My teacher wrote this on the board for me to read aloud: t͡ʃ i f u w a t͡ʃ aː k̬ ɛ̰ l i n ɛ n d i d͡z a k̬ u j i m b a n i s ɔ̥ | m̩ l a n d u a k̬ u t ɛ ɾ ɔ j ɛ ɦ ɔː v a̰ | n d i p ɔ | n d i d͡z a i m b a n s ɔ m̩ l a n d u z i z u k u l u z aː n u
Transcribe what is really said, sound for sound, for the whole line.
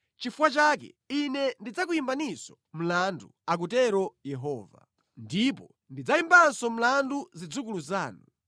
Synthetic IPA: t͡ʃ i f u w a t͡ʃ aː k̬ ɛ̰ i n ɛ n d i d͡z a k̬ u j i m b a n i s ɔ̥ | m̩ l a n d u a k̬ u t ɛ ɾ ɔ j ɛ ɦ ɔː v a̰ | n d i p ɔ | n d i d͡z a i m b a n s ɔ m̩ l a n d u z i d͡z u k u l u z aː n u